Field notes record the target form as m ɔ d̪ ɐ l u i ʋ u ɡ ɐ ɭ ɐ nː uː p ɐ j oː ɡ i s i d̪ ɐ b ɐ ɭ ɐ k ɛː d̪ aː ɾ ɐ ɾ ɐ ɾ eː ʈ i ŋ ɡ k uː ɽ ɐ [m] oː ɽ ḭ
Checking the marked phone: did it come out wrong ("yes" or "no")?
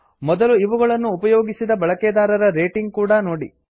yes